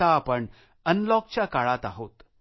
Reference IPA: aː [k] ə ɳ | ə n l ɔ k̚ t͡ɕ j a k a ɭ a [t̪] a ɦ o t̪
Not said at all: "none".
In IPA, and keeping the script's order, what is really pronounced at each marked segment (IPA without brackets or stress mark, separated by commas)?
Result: p, t̪